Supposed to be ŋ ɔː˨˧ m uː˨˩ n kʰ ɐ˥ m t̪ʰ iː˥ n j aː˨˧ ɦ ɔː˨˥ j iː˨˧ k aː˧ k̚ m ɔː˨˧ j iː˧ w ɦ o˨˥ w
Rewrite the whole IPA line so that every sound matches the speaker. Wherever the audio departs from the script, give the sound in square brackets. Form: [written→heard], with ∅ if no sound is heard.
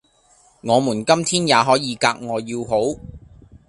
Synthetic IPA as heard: ŋ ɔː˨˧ m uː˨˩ n [kʰ→k] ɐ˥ m t̪ʰ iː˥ n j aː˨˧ ɦ ɔː˨˥ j iː˨˧ k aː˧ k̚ [m→ŋ] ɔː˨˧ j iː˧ w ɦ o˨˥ w